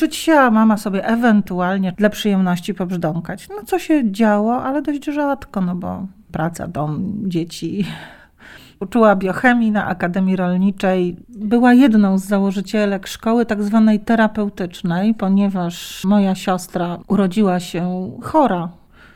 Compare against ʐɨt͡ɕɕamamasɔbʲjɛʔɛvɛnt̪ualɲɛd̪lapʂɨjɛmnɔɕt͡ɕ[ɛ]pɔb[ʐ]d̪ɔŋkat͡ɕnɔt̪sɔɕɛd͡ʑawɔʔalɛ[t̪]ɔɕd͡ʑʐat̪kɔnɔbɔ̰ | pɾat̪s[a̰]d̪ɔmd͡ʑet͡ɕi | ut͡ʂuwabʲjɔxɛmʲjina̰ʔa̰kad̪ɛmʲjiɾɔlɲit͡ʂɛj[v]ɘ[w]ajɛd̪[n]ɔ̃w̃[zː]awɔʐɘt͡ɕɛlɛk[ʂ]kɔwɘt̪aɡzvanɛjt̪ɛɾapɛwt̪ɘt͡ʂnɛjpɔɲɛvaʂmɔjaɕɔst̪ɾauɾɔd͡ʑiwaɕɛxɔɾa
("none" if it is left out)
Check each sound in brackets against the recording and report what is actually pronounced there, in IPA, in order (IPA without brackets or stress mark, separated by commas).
i, ʐ, d̪, a̰, b, w, n, zː, ʂ